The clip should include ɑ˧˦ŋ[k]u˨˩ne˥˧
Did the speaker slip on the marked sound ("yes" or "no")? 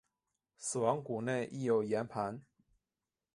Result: no